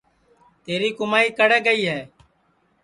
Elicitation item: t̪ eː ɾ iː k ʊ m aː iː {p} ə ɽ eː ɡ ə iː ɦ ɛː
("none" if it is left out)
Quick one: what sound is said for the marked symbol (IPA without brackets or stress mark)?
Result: k